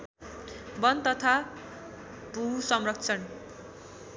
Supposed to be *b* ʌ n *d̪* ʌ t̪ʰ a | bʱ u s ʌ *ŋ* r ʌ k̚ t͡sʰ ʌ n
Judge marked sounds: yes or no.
yes, no, no

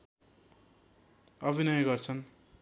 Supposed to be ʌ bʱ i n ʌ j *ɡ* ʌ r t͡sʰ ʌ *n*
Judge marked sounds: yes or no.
yes, yes

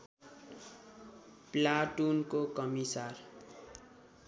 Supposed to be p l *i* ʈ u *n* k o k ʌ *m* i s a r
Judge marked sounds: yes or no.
no, yes, yes

